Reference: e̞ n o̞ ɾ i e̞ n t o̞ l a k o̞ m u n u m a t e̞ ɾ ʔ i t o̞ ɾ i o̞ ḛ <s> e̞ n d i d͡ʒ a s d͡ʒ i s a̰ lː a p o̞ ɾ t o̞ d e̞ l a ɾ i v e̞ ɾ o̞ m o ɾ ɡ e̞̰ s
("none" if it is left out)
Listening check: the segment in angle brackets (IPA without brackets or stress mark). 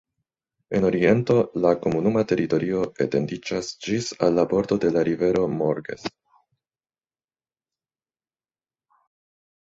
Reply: t